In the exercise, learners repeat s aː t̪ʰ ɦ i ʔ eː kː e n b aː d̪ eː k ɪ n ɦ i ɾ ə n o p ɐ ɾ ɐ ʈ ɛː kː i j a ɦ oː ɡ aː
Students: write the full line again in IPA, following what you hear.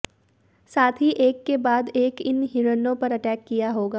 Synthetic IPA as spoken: s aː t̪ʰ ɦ i ʔ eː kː e b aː d̪ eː k ɪ n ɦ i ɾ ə n õ p ɐ ɾ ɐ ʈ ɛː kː i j a ɦ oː ɡ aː